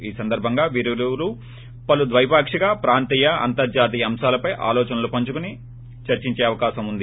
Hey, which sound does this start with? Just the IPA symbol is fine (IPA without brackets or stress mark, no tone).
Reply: iː